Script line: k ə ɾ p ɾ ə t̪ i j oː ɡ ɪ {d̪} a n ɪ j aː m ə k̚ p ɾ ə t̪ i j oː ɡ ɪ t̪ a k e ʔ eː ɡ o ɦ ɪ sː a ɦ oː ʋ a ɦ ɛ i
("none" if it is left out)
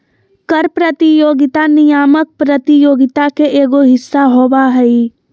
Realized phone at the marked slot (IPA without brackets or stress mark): t̪